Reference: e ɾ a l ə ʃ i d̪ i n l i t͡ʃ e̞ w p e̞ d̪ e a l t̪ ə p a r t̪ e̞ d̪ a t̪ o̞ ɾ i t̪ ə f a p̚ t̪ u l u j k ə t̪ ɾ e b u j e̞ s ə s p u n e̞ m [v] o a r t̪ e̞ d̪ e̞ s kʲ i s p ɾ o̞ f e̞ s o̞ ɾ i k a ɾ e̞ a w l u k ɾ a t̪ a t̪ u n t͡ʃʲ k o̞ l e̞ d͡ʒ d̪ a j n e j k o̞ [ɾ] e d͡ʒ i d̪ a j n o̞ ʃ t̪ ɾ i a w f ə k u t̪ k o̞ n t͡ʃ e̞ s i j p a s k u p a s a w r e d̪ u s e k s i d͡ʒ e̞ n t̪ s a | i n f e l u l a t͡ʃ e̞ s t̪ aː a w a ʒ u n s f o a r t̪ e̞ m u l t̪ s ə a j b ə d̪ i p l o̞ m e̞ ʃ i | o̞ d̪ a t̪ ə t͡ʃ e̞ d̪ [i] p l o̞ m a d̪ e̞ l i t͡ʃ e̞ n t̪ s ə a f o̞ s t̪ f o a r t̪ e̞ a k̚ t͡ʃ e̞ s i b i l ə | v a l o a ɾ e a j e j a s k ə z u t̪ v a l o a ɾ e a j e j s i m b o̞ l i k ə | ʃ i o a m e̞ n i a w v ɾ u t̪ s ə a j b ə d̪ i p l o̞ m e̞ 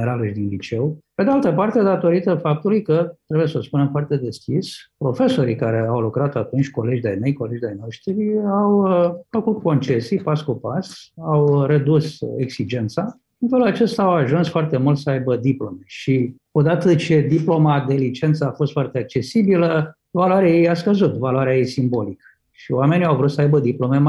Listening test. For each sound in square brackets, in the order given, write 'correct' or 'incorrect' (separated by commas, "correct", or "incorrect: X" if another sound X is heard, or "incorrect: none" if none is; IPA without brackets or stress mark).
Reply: incorrect: f, incorrect: l, correct